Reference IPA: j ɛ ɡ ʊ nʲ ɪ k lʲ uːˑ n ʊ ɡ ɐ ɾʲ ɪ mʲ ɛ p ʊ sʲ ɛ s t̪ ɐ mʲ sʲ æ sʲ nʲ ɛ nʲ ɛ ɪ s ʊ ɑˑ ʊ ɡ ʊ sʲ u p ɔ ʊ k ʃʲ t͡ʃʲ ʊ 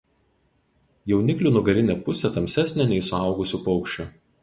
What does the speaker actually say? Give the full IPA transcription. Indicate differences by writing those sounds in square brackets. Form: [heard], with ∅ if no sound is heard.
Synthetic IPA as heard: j ɛ [∅] ʊ nʲ ɪ k lʲ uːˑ n ʊ ɡ ɐ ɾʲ ɪ [nʲ] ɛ p ʊ sʲ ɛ [∅] t̪ ɐ mʲ sʲ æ sʲ nʲ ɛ nʲ ɛ ɪ s ʊ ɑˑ ʊ ɡ ʊ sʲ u p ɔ ʊ k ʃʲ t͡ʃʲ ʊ